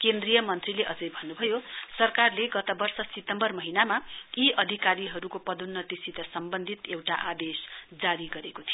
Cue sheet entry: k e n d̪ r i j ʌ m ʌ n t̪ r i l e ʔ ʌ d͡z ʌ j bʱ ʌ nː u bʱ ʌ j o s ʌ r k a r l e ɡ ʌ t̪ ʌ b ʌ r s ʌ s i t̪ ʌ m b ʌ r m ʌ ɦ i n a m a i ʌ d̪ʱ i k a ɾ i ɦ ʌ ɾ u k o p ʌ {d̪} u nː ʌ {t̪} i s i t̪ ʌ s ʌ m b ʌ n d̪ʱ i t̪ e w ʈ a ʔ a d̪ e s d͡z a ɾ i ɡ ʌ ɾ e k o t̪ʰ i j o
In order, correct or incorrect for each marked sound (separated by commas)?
correct, correct